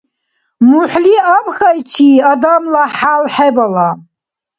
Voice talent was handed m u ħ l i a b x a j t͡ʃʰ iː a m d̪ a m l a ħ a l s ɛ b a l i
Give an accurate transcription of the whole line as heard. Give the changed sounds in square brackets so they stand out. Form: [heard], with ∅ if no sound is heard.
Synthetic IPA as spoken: m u ħ l i a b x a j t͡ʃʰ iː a [∅] d̪ a m l a ħ a l [ħ] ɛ b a l [a]